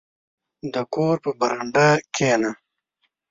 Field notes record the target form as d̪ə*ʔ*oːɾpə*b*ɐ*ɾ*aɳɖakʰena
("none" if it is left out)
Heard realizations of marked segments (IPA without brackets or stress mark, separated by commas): k, b, ɾ